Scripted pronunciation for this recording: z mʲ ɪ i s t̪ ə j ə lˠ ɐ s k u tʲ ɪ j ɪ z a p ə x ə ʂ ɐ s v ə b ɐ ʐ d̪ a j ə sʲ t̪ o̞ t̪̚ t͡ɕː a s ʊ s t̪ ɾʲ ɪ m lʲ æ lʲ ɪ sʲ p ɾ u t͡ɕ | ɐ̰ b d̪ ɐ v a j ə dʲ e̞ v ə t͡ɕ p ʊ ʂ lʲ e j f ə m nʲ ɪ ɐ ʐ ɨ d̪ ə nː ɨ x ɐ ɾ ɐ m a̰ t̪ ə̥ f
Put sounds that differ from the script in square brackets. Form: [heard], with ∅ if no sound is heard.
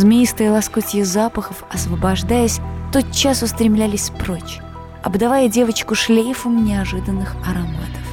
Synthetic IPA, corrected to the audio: z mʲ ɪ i s t̪ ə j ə lˠ ɐ s k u tʲ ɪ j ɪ z a p ə x ə [f] ɐ s v ə b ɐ ʐ d̪ a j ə sʲ t̪ o̞ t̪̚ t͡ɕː a s ʊ s t̪ ɾʲ ɪ m lʲ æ lʲ ɪ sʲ p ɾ [o] t͡ɕ | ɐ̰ b d̪ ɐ v a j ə dʲ e̞ v ə t͡ɕ [k] ʊ ʂ lʲ e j f ə m nʲ ɪ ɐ ʐ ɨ d̪ ə nː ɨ x ɐ ɾ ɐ m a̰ t̪ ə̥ f